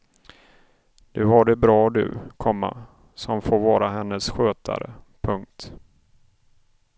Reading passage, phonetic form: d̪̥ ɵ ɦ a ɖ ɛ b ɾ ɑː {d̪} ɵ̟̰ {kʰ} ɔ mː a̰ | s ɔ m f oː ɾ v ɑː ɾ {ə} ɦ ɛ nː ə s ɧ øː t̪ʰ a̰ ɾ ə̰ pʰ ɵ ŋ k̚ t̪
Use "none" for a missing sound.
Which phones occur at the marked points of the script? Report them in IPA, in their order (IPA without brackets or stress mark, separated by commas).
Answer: d̪, kʰ, a